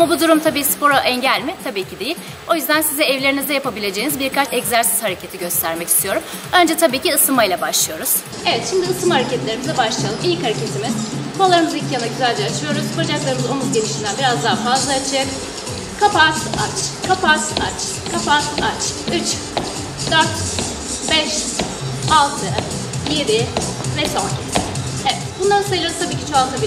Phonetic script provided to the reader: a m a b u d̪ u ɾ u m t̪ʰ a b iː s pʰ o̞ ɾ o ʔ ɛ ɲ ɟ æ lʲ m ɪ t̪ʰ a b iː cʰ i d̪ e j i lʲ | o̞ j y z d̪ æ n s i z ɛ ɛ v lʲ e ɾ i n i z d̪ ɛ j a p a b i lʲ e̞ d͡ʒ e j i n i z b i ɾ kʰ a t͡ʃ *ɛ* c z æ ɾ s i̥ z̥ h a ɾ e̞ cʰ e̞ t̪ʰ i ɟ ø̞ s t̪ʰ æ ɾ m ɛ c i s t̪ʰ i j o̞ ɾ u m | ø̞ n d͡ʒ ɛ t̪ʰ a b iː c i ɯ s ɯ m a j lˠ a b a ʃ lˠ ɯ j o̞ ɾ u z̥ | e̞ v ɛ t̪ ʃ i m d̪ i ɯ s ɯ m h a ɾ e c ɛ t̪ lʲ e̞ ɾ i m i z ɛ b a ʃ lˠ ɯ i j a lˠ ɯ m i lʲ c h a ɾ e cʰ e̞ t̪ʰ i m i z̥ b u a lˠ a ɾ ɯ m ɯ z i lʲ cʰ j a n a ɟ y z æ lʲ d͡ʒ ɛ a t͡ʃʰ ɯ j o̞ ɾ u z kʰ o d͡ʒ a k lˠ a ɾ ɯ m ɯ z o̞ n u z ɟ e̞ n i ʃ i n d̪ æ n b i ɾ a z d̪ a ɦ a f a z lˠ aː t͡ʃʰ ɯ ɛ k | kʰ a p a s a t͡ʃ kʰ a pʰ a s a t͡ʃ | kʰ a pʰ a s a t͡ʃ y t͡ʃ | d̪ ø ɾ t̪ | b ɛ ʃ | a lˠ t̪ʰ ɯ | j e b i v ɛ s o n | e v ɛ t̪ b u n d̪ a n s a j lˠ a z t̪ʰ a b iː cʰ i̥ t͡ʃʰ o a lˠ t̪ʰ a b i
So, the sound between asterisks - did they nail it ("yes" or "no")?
yes